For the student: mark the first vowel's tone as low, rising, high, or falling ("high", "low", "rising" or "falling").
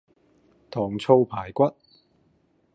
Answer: low